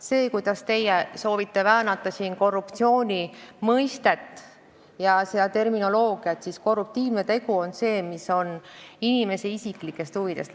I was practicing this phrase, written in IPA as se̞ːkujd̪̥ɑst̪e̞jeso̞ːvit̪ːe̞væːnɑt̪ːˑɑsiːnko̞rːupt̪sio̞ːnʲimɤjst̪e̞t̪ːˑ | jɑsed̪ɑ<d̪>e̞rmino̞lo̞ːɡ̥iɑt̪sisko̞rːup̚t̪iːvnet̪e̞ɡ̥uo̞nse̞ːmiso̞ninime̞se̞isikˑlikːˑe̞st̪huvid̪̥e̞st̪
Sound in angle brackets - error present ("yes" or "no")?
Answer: yes